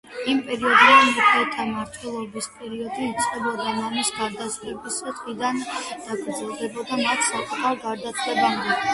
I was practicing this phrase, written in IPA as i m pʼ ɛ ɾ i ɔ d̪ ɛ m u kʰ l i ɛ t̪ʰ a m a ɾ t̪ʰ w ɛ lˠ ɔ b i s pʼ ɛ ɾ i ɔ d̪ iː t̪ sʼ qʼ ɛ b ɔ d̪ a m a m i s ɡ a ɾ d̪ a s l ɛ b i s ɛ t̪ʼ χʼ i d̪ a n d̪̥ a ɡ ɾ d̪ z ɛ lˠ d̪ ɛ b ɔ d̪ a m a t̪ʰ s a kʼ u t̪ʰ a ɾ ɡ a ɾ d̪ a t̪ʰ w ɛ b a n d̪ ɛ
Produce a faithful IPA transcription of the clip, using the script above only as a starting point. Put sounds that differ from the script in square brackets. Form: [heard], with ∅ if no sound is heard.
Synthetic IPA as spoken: i m pʼ ɛ ɾ i ɔ d̪ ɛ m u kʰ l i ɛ t̪ʰ a m a ɾ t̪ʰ w ɛ lˠ ɔ b i s pʼ ɛ ɾ i ɔ d̪ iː t̪ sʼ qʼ ɛ b ɔ d̪ a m a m i s ɡ a ɾ d̪ a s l ɛ b i s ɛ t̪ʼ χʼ i d̪ a n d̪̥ a ɡ ɾ d̪ z ɛ lˠ d̪ ɛ b ɔ d̪ a m a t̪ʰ s a kʼ u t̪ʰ a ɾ ɡ a ɾ d̪ a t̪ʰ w ɛ b a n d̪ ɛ

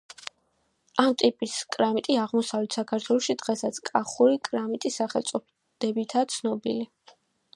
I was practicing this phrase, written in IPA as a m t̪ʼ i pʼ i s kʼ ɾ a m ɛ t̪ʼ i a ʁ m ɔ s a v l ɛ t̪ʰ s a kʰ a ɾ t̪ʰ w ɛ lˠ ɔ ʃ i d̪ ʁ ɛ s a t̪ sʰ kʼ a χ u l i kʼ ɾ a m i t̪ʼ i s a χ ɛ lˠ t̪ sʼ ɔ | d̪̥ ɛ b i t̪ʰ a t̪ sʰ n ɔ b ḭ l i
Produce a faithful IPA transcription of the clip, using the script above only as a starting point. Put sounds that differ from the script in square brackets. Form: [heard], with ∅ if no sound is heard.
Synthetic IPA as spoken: a m t̪ʼ i pʼ i s kʼ ɾ a m [i] t̪ʼ i a ʁ m ɔ s a v l ɛ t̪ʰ s a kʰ a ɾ t̪ʰ w ɛ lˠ ɔ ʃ i d̪ ʁ ɛ s a t̪ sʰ kʼ a χ u [ɾ] i kʼ ɾ a m i t̪ʼ i s a χ ɛ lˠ t̪ sʼ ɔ | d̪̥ ɛ b i t̪ʰ a t̪ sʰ n ɔ b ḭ l i

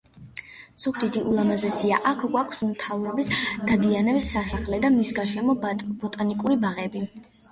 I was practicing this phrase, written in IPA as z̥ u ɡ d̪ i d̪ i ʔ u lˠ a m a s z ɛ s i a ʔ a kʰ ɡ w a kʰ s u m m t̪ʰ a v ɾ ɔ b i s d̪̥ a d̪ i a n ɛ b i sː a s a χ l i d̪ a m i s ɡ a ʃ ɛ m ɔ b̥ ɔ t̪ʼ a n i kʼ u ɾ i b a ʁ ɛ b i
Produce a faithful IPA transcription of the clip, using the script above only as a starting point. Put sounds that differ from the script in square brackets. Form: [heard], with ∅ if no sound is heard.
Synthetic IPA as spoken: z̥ u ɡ d̪ i d̪ i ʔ u lˠ a m a [∅] z ɛ s i a ʔ a kʰ ɡ w a kʰ s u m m t̪ʰ a v ɾ ɔ b i s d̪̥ a d̪ i a n ɛ b i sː a s a χ l [ɛ] d̪ a m i s ɡ a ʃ ɛ m ɔ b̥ ɔ t̪ʼ a n i kʼ u ɾ i b a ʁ ɛ b i

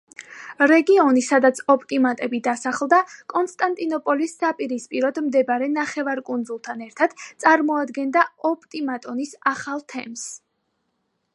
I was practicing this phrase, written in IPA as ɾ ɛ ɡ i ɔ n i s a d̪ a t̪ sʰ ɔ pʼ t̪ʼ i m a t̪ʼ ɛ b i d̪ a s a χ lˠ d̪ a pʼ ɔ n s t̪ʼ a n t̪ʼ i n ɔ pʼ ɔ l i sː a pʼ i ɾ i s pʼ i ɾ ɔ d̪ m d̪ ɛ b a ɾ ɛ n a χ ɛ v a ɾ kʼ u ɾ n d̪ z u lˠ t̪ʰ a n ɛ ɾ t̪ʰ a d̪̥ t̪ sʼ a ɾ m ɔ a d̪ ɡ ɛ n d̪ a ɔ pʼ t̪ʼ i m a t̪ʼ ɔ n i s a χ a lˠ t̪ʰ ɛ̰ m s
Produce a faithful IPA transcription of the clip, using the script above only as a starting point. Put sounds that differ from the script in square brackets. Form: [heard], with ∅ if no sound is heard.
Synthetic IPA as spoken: ɾ ɛ ɡ i ɔ n i s a d̪ a t̪ sʰ ɔ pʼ t̪ʼ i m a t̪ʼ ɛ b i d̪ a s a χ lˠ d̪ a [kʼ] ɔ n s t̪ʼ a n t̪ʼ i n ɔ pʼ ɔ l i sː a pʼ i ɾ i s pʼ i ɾ ɔ d̪ m d̪ ɛ b a ɾ ɛ n a χ ɛ v a ɾ kʼ u [∅] n d̪ z u lˠ t̪ʰ a n ɛ ɾ t̪ʰ a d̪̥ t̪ sʼ a ɾ m ɔ a d̪ ɡ ɛ n d̪ a ɔ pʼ t̪ʼ i m a t̪ʼ ɔ n i s a χ a lˠ t̪ʰ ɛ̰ m s

